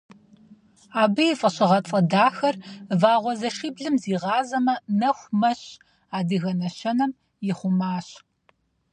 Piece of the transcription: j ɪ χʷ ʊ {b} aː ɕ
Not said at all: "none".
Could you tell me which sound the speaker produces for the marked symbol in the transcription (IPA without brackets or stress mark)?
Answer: m